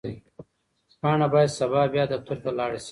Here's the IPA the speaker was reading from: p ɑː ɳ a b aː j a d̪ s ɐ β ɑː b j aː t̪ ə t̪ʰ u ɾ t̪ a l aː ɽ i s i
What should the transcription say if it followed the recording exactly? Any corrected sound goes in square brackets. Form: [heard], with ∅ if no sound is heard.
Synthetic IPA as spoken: p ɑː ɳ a b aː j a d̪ s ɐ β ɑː b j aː [d̪] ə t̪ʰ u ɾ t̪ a l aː ɽ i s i